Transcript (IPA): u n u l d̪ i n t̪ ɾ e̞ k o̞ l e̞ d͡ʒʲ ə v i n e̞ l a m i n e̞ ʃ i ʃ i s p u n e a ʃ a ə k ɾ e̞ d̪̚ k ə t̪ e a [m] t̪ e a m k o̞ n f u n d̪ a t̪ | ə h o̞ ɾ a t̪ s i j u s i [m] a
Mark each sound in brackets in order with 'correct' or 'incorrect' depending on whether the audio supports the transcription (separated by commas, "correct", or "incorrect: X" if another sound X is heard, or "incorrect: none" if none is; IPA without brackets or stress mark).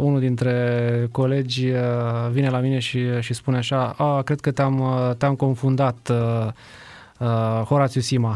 correct, correct